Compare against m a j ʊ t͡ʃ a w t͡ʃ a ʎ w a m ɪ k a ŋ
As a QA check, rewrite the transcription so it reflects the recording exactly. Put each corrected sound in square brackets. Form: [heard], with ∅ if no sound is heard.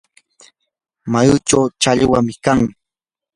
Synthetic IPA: m a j ʊ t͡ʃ a w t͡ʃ a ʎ w a m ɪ k a ŋ

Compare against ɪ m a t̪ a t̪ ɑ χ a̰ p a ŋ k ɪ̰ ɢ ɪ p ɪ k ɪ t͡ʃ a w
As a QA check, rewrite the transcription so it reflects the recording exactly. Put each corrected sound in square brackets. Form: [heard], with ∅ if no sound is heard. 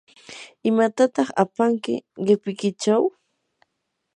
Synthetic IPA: ɪ m a t̪ a t̪ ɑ χ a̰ p a ŋ k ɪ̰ ɢ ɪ p ɪ k ɪ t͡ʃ a w

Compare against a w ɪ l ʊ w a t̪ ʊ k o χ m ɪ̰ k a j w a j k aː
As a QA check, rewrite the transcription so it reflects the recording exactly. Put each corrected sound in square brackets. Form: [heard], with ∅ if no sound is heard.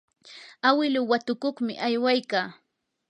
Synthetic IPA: a w ɪ l ʊ w a t̪ ʊ k o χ m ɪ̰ [ʔ] a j w a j k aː

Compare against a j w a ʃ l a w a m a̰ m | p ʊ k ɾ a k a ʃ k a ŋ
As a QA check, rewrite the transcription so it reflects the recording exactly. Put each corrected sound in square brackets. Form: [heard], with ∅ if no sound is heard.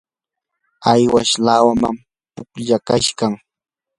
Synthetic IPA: a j w a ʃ l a w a m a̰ m | p ʊ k [ʎ] a k a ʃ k a ŋ

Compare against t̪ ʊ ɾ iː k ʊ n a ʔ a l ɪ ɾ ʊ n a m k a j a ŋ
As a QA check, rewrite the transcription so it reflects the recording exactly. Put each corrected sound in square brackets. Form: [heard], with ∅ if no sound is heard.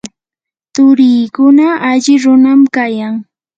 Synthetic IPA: t̪ ʊ ɾ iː k ʊ n a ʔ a [ʎ] ɪ ɾ ʊ n a m k a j a ŋ

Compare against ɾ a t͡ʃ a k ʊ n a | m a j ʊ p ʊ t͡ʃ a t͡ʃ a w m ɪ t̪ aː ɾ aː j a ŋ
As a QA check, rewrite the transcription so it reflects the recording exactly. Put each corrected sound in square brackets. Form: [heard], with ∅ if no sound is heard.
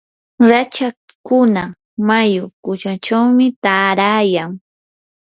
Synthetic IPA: ɾ a t͡ʃ a k ʊ n a | m a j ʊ [k] ʊ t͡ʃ a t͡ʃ a w m ɪ t̪ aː ɾ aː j a ŋ

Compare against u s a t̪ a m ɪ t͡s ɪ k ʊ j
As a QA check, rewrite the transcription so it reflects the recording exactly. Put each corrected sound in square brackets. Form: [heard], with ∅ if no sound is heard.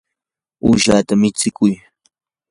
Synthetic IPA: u [ʃ] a t̪ a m ɪ t͡s ɪ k ʊ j

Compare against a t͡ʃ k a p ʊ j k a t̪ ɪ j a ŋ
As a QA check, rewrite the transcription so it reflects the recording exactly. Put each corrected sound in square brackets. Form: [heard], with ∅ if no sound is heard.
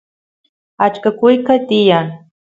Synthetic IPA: a t͡ʃ k a [k] ʊ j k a t̪ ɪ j a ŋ

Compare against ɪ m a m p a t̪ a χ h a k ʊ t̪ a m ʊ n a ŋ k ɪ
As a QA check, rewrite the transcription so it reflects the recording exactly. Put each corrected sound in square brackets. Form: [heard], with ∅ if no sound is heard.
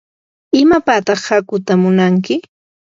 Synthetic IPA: ɪ m a [∅] p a t̪ [ɑ] χ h a k ʊ t̪ a m ʊ n a ŋ k ɪ

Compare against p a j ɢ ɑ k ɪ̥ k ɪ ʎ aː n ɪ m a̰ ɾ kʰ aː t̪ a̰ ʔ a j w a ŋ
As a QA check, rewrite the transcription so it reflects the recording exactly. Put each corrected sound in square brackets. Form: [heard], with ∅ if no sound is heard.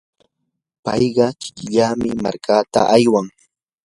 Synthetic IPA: p [ɑ] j ɢ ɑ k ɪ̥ k ɪ ʎ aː [m] ɪ m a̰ ɾ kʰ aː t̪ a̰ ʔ a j w a ŋ

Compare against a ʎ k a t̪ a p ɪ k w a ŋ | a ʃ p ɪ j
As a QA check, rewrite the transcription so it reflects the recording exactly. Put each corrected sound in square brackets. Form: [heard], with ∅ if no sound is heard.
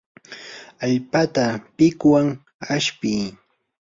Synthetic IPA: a ʎ [p] a t̪ a p ɪ k w a ŋ | a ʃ p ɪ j

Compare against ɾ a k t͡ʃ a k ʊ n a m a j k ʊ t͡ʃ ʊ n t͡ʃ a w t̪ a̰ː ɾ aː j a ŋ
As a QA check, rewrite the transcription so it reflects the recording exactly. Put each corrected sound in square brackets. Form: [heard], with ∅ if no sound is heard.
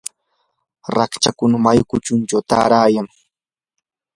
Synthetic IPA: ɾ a k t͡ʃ a k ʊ n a m a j k ʊ t͡ʃ ʊ n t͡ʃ a w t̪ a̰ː ɾ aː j a ŋ

